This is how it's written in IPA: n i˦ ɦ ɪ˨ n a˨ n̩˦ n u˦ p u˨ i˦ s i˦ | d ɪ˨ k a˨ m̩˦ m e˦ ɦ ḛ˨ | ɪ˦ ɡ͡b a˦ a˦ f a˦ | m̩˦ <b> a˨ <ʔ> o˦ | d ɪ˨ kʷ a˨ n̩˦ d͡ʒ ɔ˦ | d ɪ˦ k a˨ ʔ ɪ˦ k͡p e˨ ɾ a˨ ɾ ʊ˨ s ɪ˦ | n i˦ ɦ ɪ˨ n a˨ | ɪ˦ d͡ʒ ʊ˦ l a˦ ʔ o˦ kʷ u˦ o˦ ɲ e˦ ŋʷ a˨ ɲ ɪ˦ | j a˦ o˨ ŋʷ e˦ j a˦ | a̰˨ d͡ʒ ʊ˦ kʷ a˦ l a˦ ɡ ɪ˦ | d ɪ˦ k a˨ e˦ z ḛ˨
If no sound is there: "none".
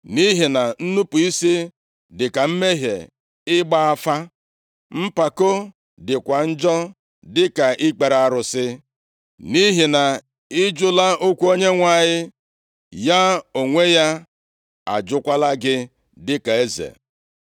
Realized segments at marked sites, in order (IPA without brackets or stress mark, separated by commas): p, k